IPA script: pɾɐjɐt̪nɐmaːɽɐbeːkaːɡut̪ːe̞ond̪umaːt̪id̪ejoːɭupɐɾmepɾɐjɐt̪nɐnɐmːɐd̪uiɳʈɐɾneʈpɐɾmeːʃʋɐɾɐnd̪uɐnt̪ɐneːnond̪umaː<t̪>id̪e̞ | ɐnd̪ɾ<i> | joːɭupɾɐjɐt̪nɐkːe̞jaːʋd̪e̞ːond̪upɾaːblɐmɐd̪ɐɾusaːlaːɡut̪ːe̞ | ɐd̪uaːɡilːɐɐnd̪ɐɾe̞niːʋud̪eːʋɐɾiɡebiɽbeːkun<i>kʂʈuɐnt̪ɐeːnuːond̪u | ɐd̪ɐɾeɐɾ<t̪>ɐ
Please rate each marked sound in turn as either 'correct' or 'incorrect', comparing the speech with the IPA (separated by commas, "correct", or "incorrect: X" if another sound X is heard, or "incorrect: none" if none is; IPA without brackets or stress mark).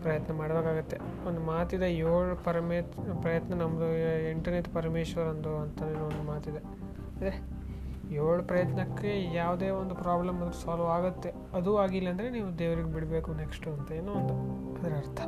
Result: correct, incorrect: e, incorrect: e, incorrect: t̪ʰ